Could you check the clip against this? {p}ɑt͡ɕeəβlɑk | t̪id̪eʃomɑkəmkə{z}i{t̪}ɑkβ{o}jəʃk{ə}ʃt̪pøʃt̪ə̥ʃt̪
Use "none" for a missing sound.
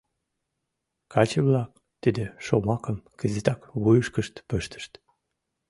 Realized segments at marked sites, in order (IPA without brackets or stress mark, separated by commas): k, z, t̪, u, ə